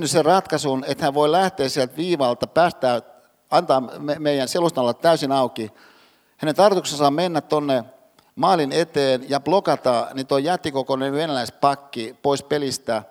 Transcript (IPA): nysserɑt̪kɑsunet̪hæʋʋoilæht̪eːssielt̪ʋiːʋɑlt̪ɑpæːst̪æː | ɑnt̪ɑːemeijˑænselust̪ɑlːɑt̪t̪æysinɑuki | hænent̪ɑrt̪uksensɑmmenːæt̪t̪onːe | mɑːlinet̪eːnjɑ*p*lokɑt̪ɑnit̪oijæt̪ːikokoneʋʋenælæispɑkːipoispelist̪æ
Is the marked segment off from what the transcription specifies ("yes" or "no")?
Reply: no